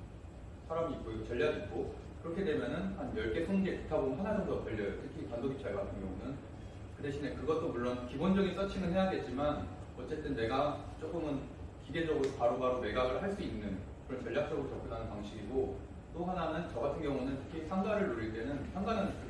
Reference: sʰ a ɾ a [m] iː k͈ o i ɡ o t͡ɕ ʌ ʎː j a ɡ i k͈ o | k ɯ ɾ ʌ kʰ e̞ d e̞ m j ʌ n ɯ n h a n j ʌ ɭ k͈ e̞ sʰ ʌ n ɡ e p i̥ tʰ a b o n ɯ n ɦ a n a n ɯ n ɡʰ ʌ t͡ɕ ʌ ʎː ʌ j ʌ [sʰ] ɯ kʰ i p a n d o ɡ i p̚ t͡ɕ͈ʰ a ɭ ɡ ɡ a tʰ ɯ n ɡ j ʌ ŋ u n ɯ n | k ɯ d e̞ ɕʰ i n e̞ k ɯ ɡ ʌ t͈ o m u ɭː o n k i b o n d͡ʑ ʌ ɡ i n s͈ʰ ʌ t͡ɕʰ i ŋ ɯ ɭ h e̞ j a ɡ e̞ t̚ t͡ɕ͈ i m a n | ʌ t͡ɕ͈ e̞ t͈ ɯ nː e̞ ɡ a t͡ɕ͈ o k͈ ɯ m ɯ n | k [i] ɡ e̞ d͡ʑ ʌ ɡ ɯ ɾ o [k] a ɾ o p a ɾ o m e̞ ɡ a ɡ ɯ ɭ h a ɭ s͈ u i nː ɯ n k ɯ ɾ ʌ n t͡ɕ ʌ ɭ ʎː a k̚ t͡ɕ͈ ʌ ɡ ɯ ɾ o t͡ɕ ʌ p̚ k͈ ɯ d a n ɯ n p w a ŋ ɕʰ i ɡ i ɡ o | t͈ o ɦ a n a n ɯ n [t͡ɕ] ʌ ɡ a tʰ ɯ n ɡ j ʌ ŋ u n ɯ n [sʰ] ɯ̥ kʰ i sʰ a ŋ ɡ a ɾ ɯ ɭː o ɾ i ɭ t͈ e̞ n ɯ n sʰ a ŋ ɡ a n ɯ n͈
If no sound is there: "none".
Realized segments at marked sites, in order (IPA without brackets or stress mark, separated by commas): m, tʰ, i, p, t͡ɕ, tʰ